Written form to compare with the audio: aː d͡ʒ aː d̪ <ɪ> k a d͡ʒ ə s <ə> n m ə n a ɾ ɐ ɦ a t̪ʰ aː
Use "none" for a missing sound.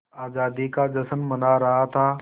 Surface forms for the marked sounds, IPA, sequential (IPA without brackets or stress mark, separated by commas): i, ə